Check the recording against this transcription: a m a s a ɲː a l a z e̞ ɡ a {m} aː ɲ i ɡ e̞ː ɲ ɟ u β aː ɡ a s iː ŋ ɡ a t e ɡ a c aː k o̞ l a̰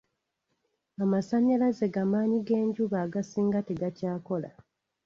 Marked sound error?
no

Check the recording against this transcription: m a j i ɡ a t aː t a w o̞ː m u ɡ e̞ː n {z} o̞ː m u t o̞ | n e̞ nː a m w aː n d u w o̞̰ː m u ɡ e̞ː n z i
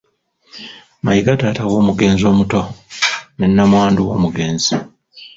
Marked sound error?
no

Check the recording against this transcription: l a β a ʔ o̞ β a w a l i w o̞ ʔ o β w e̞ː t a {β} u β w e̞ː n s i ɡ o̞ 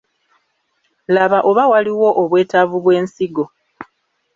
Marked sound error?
yes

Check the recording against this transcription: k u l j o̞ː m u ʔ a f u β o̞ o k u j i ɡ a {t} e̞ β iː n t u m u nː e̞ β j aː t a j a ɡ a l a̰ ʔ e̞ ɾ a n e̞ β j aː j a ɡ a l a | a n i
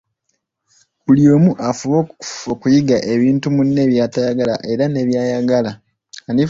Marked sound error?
yes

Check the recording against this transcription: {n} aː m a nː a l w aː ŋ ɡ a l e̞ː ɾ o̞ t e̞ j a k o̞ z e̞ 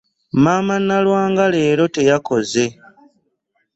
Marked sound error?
yes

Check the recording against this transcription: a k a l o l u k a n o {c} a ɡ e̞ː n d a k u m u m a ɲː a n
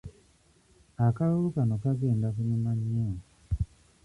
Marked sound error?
yes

